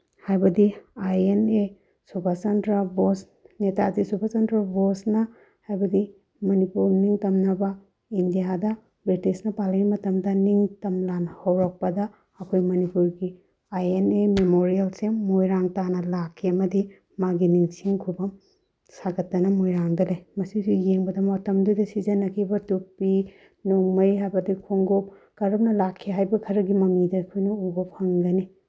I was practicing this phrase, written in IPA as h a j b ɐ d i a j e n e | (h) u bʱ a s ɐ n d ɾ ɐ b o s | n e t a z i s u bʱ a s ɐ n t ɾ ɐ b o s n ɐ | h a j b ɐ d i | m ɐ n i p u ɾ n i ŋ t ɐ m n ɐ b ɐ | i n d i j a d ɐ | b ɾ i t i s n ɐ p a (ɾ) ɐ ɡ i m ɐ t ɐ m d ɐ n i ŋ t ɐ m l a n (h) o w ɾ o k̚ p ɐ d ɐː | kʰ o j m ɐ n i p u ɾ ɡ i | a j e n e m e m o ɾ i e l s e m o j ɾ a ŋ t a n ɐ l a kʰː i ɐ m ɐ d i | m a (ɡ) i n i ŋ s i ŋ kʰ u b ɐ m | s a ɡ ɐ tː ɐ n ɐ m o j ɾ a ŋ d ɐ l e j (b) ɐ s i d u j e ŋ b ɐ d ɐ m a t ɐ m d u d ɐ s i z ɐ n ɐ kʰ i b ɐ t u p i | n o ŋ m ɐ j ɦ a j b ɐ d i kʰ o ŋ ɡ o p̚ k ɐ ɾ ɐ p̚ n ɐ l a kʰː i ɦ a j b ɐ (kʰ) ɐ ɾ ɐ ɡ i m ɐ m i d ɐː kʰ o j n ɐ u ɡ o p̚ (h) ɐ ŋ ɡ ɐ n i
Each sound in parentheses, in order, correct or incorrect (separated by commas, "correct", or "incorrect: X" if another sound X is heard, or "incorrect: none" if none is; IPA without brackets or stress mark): incorrect: s, incorrect: l, correct, correct, incorrect: m, correct, correct